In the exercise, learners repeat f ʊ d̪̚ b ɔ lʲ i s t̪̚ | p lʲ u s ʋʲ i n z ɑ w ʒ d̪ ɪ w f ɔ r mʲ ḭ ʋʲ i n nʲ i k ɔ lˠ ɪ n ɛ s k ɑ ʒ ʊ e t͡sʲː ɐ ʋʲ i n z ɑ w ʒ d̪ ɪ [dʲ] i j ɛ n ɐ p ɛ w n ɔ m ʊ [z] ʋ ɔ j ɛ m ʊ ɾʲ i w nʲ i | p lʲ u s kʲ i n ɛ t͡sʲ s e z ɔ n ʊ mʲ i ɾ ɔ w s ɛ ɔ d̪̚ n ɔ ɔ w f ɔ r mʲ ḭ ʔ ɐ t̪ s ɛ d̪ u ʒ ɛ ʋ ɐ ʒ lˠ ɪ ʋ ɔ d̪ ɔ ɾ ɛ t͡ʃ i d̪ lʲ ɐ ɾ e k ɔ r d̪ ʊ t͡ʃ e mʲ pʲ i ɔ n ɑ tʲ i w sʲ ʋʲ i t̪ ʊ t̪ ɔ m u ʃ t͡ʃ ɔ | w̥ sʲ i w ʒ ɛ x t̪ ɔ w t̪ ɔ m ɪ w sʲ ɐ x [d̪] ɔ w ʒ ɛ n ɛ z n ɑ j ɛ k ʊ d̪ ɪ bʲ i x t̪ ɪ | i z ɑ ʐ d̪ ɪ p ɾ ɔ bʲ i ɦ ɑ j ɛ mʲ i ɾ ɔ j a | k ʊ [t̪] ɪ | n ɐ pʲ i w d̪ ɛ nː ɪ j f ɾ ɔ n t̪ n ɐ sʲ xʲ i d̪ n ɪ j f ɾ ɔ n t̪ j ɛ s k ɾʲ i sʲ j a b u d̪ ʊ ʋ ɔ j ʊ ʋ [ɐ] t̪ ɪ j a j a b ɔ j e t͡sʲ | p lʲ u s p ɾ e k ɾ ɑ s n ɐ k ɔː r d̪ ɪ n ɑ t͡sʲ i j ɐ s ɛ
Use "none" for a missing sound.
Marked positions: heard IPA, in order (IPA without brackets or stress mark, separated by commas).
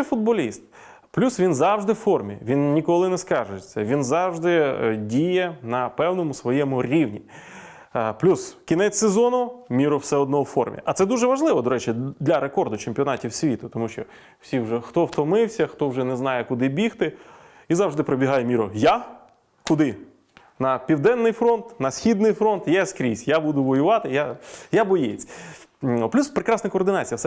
dʲ, s, t̪, d̪, ɑ